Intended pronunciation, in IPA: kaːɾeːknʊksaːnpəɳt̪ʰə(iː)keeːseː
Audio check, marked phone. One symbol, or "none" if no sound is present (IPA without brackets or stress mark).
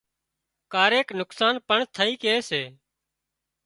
iː